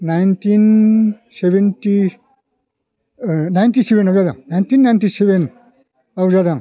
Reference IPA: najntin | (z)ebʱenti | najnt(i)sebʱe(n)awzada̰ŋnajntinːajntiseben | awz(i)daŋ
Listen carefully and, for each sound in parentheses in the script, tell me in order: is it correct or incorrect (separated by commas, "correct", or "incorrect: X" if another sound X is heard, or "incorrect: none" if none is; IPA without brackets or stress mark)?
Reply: incorrect: s, correct, correct, incorrect: a